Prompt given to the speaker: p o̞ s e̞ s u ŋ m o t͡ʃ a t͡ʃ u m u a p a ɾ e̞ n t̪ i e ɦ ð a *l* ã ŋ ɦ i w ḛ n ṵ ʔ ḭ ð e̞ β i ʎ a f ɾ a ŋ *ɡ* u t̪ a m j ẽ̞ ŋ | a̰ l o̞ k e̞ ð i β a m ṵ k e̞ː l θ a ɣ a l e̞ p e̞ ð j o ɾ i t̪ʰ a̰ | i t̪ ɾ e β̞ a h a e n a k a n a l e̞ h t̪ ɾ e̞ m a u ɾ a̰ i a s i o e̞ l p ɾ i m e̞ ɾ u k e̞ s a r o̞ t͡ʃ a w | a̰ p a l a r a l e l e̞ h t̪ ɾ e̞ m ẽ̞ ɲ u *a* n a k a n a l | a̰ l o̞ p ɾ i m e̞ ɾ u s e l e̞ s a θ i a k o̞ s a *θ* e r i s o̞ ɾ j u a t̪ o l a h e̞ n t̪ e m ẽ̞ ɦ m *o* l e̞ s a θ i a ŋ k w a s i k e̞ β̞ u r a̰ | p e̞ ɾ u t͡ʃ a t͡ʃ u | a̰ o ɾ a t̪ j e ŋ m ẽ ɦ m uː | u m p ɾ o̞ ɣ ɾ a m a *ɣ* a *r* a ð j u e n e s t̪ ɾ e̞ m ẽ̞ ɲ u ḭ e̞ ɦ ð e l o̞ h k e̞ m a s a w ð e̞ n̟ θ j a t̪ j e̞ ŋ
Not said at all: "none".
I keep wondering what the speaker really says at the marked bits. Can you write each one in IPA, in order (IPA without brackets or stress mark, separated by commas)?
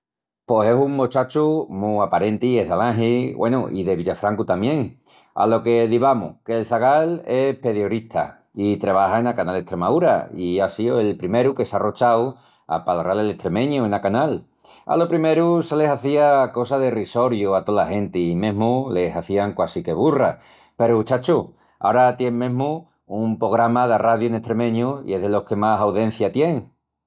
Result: l, k, e, ð, u, ð, r